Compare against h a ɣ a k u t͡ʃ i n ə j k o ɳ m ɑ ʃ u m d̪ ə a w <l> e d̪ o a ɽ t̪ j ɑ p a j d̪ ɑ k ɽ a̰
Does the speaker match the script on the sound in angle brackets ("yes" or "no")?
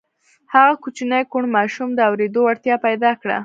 no